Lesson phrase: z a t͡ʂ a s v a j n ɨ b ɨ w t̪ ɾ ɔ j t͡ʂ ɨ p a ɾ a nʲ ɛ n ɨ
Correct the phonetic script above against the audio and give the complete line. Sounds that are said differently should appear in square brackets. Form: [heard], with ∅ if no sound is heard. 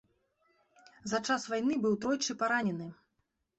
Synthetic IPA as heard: z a t͡ʂ a s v a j n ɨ b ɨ w t̪ ɾ ɔ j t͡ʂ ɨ p a ɾ a nʲ ɛ n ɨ